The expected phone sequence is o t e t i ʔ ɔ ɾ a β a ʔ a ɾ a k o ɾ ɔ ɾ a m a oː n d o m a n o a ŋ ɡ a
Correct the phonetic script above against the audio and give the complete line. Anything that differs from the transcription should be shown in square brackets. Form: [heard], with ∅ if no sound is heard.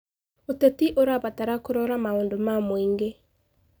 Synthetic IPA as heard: o t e t i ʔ [o] ɾ a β a [t] a ɾ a k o ɾ ɔ ɾ a m a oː n d o m a [m] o [i] ŋ ɡ [e]